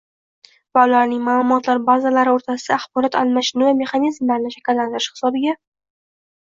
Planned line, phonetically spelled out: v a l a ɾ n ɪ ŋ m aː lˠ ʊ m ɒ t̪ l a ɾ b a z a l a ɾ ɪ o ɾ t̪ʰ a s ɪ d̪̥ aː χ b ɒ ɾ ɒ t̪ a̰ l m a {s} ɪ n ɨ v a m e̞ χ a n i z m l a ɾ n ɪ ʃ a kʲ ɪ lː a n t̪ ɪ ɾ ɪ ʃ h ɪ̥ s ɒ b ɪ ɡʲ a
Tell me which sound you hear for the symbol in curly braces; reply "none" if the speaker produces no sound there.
ʃ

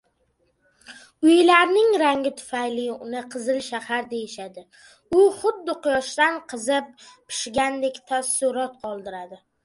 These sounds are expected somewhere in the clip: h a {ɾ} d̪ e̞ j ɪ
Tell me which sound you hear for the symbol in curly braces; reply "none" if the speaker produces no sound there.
ɾ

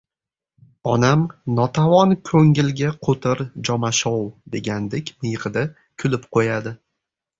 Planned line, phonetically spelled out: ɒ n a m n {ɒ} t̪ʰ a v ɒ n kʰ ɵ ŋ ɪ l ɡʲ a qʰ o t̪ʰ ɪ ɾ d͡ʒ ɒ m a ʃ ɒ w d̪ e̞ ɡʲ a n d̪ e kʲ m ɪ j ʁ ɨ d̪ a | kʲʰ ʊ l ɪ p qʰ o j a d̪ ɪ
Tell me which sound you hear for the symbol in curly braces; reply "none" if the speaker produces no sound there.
ɒ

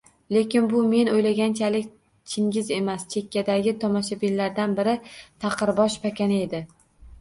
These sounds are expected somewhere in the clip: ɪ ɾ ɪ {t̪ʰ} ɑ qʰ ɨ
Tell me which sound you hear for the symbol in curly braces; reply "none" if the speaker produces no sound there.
t̪ʰ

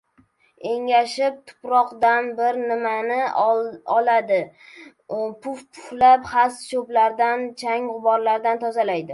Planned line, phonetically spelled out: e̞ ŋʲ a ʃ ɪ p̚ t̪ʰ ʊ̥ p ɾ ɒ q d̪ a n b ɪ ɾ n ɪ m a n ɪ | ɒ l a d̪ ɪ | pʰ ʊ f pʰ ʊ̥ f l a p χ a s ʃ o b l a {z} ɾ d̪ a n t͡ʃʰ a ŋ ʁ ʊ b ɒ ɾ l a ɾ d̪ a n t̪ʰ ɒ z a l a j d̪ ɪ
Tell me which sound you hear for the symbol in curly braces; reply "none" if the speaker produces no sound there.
none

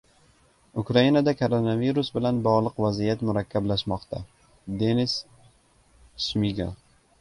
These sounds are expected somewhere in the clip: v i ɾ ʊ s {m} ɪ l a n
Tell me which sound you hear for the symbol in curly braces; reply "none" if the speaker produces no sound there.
b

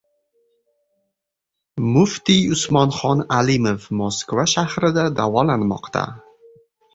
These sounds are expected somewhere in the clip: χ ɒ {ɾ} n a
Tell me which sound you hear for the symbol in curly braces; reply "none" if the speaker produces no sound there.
none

